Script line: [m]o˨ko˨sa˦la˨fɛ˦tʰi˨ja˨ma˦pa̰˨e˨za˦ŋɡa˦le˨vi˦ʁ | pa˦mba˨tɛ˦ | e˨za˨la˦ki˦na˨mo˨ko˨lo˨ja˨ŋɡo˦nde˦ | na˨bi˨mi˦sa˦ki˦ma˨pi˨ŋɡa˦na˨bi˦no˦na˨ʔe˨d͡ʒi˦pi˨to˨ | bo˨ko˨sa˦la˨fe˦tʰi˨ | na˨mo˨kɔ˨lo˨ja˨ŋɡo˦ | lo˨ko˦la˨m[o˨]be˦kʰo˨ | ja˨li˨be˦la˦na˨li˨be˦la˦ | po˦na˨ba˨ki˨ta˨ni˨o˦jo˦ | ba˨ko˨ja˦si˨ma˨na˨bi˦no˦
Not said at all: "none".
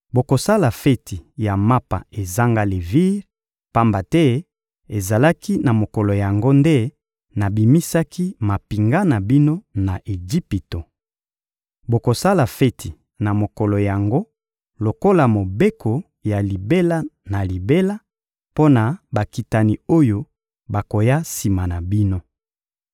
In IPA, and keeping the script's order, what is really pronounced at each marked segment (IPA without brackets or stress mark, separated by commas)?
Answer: b, o˨